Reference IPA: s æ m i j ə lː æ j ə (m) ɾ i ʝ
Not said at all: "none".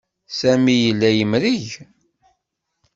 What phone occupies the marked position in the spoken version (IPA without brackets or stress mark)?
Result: m